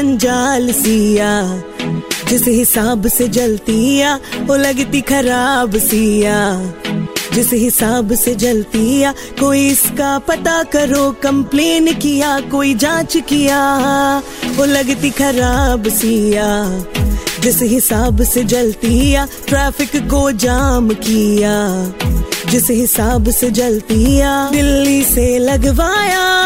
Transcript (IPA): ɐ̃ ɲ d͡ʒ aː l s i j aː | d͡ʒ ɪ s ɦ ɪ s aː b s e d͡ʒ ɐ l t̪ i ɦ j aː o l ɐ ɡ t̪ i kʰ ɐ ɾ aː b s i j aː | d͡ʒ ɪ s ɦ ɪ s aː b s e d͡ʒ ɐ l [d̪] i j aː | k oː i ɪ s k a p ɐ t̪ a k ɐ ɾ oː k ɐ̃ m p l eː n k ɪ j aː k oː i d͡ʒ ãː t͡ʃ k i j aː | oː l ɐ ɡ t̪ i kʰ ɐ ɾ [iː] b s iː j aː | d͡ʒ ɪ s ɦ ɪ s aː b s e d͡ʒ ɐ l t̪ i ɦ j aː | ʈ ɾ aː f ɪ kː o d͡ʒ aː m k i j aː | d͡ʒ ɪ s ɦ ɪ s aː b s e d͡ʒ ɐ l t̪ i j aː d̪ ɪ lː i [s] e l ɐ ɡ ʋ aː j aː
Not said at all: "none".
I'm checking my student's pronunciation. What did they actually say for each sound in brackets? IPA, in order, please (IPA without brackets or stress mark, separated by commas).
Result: t̪, aː, s